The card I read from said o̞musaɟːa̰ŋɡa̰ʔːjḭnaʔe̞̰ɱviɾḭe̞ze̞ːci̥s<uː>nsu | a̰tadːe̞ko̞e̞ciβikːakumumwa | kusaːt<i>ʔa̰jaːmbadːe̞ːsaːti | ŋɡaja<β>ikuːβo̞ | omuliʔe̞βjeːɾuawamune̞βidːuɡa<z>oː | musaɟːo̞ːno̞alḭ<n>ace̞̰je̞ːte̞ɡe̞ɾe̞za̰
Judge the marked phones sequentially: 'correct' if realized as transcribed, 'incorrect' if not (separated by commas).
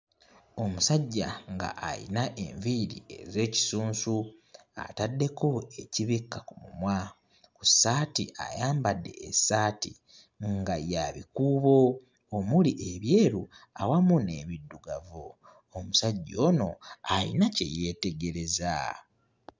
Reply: correct, correct, correct, incorrect, correct